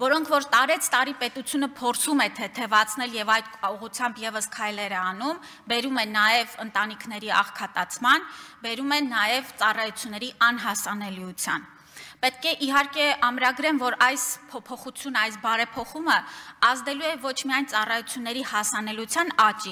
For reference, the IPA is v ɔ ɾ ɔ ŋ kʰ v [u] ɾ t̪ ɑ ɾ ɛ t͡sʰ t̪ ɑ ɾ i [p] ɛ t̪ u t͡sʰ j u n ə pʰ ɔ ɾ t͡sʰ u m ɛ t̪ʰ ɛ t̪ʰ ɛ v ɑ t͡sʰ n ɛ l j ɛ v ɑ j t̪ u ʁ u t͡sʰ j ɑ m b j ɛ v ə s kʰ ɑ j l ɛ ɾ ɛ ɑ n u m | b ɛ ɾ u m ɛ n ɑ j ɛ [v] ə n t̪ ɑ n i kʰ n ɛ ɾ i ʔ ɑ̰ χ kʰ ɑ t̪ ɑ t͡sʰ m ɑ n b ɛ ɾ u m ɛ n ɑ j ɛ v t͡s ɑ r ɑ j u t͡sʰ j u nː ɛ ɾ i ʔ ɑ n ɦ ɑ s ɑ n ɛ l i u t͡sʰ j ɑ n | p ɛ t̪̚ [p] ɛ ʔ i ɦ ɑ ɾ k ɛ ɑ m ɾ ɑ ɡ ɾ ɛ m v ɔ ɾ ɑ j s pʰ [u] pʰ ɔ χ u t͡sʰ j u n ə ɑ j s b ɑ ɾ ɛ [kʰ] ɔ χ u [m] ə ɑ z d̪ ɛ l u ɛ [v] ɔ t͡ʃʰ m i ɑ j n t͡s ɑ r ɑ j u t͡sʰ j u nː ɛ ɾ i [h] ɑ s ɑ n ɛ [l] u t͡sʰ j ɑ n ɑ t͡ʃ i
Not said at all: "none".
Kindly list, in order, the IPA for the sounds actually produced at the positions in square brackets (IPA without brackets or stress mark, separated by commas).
ɔ, p, v, k, ɔ, pʰ, m, v, h, l